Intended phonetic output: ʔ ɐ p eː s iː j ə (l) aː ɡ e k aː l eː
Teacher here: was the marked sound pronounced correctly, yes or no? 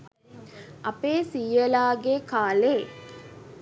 yes